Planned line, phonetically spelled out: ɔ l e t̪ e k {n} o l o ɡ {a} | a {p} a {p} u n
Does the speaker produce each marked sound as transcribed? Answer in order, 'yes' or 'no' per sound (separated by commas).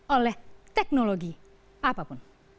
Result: yes, no, yes, yes